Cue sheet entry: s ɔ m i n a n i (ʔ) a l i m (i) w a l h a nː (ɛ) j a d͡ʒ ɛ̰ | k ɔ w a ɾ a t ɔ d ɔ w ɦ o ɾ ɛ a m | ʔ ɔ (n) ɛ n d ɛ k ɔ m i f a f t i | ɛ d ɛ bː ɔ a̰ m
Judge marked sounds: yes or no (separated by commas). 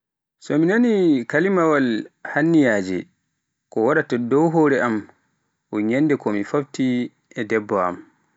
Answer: no, no, no, no